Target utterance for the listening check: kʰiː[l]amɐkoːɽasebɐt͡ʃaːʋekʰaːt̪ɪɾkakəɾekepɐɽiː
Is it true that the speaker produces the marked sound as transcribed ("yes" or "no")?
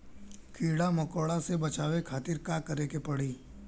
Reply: no